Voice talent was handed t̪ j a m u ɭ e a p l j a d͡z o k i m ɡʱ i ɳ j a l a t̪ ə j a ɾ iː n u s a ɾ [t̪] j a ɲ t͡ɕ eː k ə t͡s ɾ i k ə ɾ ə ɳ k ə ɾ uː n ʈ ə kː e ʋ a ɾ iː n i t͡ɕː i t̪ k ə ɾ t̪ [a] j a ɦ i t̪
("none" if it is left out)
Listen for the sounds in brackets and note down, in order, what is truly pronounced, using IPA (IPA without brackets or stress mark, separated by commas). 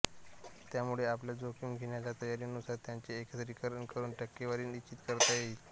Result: t̪, a